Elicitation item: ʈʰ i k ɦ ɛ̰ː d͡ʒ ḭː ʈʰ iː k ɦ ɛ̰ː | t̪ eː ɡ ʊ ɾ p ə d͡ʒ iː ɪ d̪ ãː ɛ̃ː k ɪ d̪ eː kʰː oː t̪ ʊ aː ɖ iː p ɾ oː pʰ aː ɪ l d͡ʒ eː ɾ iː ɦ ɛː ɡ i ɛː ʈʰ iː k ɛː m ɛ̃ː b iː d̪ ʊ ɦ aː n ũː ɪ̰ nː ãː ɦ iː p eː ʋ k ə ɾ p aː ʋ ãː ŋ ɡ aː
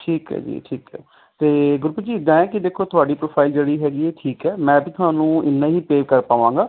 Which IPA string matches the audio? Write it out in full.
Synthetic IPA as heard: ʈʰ iː k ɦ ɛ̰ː d͡ʒ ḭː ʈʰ iː k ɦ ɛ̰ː | t̪ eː ɡ ʊ ɾ p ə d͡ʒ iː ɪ d̪ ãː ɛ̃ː k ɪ d̪ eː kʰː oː t̪ ʊ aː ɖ iː p ɾ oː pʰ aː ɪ l d͡ʒ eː ɽ iː ɦ ɛː ɡ i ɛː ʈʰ iː k ɛː m ɛ̃ː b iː t̪ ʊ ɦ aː n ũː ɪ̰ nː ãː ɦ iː p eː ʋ k ə ɾ p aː ʋ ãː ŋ ɡ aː